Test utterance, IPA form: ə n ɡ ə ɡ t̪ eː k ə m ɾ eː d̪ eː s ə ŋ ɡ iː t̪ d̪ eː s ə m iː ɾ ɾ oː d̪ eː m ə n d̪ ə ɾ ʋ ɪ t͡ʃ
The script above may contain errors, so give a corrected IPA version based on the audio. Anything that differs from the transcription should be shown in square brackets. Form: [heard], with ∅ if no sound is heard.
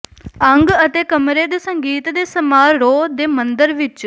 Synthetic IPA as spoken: ə [ŋ] ɡ ə [∅] t̪ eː k ə m ɾ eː d̪ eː s ə ŋ ɡ iː t̪ d̪ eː s ə m [aː] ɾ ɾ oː d̪ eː m ə n d̪ ə ɾ ʋ ɪ t͡ʃ